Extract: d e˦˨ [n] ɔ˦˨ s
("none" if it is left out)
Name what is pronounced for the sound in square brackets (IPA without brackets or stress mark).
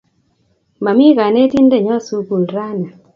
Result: ɲ